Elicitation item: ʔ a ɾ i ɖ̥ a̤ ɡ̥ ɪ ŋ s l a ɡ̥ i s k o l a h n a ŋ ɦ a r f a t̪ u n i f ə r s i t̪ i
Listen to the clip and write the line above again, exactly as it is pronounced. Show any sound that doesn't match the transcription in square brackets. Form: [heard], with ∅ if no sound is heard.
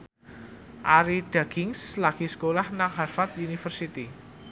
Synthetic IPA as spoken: ʔ a ɾ i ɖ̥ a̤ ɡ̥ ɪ ŋ s l a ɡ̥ i s k o l a h n a ŋ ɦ a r f a t̪ u n i f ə r s i t̪ i